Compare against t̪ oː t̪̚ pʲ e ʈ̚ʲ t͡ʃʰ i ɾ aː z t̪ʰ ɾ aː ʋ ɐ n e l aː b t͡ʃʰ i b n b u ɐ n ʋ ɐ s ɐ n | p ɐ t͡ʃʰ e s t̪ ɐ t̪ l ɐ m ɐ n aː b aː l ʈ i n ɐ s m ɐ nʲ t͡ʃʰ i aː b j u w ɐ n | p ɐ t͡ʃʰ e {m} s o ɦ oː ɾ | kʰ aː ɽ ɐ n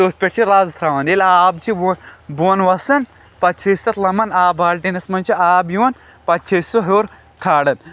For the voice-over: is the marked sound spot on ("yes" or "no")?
no